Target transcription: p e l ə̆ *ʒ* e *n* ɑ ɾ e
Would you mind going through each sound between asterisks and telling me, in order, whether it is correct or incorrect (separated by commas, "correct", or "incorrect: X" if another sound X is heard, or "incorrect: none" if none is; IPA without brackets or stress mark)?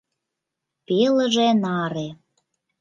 correct, correct